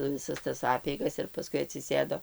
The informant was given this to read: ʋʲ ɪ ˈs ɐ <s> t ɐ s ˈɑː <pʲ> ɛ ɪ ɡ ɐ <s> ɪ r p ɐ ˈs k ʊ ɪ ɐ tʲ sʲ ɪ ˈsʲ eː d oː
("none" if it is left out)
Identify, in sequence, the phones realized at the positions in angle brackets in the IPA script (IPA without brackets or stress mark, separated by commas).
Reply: s, pʲ, s